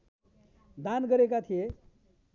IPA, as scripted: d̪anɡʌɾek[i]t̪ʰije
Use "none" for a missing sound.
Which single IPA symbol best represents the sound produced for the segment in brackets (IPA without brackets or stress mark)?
a